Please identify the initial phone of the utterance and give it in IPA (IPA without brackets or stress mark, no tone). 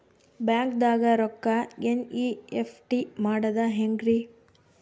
b